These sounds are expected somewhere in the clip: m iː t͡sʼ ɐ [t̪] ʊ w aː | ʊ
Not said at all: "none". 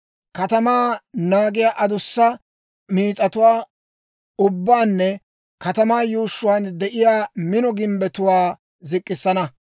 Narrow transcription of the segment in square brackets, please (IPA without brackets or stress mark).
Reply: t̪